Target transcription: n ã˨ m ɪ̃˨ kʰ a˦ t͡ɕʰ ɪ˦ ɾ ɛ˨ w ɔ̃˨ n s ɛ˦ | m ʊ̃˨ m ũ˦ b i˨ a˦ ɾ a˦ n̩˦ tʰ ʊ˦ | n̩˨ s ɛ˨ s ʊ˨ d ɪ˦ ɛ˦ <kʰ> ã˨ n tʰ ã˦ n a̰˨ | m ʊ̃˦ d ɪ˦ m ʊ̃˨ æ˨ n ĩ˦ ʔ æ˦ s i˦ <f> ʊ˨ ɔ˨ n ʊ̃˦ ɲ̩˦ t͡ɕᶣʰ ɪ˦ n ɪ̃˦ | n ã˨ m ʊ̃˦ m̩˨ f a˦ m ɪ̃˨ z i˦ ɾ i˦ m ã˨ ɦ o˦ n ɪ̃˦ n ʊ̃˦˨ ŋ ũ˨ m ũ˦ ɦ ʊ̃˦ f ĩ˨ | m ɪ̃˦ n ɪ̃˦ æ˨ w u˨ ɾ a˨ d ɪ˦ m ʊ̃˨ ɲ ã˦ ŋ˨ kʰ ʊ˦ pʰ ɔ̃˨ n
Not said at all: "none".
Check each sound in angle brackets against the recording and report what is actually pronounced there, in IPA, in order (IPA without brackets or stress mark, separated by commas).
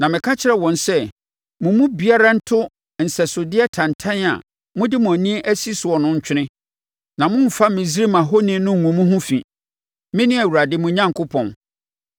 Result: tʰ, s